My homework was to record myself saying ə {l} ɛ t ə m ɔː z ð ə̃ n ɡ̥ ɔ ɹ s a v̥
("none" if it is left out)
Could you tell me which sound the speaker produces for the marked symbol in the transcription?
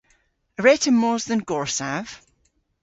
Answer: ɹ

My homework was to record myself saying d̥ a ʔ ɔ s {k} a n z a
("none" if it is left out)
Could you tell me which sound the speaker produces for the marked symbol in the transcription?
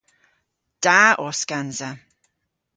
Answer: k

